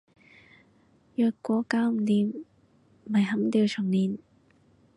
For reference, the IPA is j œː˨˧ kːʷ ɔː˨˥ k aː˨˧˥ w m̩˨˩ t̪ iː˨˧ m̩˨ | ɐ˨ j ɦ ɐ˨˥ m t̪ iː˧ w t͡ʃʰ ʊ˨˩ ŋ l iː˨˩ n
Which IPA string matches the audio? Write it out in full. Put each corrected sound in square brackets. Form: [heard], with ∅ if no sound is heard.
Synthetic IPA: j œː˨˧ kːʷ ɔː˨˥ k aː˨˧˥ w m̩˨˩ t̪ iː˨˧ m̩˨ | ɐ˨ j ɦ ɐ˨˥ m t̪ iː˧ w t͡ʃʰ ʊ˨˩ ŋ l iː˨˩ n